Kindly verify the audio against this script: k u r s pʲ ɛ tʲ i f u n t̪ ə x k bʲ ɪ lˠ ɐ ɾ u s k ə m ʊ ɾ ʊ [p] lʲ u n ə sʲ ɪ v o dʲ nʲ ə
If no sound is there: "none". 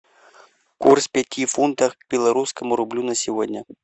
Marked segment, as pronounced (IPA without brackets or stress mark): b